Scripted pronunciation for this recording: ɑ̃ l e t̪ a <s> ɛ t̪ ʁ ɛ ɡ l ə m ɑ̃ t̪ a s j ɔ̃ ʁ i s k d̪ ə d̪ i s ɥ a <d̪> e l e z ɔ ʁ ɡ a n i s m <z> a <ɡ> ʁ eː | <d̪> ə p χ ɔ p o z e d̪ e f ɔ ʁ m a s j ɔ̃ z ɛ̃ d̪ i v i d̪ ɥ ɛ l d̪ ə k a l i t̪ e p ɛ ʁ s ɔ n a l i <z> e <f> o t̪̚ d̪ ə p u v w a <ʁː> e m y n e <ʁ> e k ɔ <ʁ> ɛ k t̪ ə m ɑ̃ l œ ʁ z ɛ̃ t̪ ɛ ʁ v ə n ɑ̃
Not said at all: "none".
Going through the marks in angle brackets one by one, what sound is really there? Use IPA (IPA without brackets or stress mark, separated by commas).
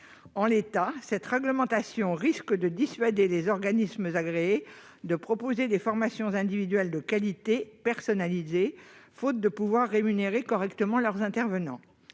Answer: s, d̪, z, ɡ, d̪, z, f, ʁː, ʁ, ʁ